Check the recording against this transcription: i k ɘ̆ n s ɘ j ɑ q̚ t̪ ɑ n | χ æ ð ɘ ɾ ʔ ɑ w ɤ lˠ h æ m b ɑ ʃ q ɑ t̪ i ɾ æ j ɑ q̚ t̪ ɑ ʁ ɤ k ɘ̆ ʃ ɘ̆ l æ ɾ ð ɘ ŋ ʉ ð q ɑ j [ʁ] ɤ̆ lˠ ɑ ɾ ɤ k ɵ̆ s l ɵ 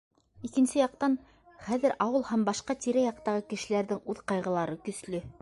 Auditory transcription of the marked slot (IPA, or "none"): ʁ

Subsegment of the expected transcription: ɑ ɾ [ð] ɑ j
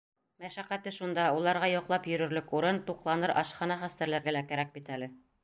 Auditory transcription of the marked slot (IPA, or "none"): ʁ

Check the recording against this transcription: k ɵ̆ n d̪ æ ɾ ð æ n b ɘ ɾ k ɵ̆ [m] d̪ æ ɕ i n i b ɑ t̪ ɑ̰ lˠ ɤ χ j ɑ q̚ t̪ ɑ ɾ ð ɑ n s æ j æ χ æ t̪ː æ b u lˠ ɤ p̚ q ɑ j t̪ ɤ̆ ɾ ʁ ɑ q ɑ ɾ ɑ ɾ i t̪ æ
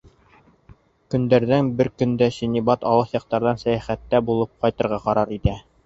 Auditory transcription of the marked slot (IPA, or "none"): n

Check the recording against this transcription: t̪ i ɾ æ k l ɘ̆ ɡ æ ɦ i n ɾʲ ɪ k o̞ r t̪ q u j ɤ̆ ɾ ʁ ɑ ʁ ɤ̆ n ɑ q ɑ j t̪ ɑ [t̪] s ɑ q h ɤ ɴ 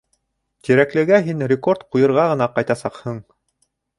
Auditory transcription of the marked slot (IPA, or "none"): none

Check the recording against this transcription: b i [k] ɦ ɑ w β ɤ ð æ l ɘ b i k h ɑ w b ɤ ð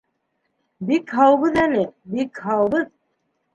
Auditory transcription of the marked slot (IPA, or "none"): k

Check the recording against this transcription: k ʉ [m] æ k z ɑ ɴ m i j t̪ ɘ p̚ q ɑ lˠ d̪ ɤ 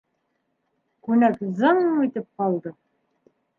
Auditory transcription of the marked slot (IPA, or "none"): n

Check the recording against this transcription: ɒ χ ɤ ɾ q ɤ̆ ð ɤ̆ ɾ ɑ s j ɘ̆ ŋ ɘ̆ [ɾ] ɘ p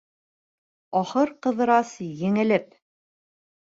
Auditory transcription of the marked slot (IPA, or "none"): l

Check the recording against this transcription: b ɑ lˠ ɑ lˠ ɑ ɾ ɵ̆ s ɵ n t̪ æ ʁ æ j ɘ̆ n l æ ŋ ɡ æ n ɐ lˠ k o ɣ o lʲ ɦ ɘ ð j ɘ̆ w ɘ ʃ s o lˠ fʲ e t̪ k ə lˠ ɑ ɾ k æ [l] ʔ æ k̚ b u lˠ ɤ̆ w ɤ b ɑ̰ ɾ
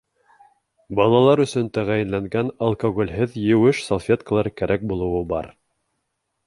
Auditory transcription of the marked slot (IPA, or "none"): ɾ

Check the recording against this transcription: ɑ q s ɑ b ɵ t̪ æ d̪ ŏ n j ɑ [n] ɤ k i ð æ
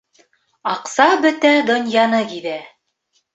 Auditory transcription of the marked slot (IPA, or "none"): n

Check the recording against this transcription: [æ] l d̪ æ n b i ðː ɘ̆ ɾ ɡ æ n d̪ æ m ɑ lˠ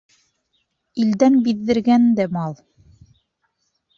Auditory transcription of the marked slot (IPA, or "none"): i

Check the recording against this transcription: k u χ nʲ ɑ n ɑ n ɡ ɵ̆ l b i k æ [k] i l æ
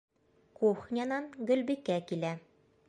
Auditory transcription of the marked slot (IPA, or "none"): k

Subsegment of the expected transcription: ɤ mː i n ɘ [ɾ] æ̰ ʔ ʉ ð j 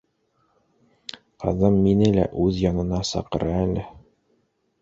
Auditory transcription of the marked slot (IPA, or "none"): l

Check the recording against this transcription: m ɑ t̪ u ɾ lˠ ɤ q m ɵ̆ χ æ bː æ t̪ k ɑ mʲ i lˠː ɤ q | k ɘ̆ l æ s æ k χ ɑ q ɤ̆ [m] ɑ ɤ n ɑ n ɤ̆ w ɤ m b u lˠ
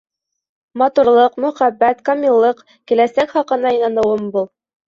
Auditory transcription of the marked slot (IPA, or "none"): n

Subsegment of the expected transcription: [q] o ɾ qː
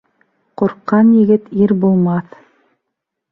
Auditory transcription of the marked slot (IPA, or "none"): q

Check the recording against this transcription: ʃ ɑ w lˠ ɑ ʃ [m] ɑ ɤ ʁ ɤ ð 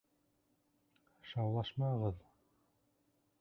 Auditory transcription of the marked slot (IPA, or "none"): m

